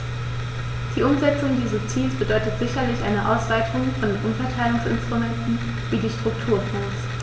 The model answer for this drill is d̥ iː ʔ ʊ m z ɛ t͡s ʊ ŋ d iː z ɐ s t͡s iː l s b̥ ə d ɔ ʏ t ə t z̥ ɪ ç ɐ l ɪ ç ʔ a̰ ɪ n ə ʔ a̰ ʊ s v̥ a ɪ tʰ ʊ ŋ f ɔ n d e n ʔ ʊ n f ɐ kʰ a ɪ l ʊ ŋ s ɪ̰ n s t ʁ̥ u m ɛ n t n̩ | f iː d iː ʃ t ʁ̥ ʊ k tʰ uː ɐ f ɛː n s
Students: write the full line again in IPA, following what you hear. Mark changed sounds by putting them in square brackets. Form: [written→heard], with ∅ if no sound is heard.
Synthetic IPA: d̥ iː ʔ ʊ m z ɛ t͡s ʊ ŋ d iː z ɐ s t͡s iː l s b̥ ə d ɔ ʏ t ə t z̥ ɪ ç ɐ l ɪ ç ʔ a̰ ɪ n ə ʔ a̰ ʊ s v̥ a ɪ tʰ ʊ ŋ f ɔ n d e n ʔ ʊ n f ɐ [kʰ→tʰ] a ɪ l ʊ ŋ s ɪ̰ n s t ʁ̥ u m ɛ n t n̩ | [f→v] iː d iː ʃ t ʁ̥ ʊ k tʰ uː ɐ f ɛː n s